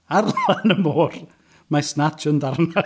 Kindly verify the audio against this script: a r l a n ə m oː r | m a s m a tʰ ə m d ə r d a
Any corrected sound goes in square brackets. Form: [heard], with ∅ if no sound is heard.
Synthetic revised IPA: a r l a n ə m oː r | m a s [n] a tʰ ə [n] d [a] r [n] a